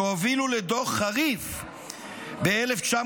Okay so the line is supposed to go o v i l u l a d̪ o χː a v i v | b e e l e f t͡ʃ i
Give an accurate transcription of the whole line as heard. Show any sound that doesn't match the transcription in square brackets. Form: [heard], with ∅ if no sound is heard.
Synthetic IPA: o v i l u l [e] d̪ o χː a [ʁ] i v | b e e l e f t͡ʃ [a]